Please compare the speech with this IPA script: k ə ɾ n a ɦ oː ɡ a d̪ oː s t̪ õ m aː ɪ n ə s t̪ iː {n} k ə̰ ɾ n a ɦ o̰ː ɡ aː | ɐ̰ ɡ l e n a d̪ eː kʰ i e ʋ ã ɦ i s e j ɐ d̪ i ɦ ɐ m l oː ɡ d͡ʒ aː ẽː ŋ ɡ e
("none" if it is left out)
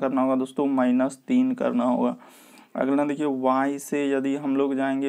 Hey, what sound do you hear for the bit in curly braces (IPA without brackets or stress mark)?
n